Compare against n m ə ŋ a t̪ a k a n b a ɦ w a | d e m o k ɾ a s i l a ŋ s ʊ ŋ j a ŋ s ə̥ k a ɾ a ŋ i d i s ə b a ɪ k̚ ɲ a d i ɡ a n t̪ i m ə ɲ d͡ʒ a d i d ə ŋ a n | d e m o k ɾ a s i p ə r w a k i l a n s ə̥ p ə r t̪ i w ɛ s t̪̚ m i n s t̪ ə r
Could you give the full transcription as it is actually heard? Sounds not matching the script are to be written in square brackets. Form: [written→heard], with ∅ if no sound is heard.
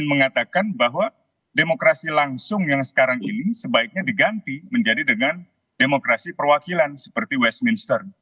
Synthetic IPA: n m ə ŋ a t̪ a k a n b a ɦ w a | d e m o k ɾ a s i l a ŋ s ʊ ŋ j a ŋ s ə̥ k a ɾ a ŋ i [d→n] i s ə b a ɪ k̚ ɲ a d i ɡ a n t̪ i m ə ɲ d͡ʒ a d i d ə ŋ a n | d e m o k ɾ a s i p ə r w a k i l a n s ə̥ p ə r t̪ i w ɛ s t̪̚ m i n s t̪ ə r